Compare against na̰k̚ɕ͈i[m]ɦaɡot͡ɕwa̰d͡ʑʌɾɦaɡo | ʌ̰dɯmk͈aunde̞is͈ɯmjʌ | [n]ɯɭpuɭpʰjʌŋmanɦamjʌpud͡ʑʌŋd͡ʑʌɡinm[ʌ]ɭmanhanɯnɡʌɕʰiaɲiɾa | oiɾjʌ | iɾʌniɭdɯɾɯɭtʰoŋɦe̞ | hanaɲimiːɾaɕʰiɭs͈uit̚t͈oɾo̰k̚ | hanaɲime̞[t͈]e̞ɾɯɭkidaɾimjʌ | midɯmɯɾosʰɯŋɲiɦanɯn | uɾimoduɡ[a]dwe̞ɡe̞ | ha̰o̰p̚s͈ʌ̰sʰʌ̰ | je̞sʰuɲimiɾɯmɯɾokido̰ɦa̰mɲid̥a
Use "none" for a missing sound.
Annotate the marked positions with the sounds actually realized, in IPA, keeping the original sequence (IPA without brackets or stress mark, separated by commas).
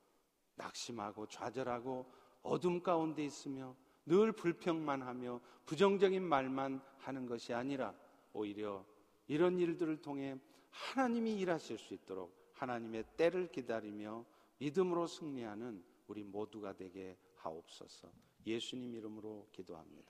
m, n, a, t͈, a